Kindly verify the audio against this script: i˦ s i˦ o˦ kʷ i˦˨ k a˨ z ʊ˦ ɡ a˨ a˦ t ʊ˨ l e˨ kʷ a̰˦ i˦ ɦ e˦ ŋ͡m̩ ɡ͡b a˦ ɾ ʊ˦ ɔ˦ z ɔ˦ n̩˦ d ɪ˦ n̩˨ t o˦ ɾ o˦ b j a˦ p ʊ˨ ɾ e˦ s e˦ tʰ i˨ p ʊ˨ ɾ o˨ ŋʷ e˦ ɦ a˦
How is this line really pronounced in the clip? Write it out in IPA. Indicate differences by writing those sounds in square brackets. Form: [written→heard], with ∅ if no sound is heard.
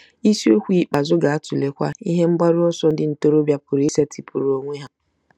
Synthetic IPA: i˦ s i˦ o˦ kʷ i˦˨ [k→k͡p] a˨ z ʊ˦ ɡ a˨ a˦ t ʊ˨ l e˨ kʷ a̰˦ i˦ ɦ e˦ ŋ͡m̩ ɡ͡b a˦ ɾ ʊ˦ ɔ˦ [z→s] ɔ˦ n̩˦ d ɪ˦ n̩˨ t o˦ ɾ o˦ b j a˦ p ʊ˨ ɾ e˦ s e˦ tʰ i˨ p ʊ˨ ɾ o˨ ŋʷ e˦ ɦ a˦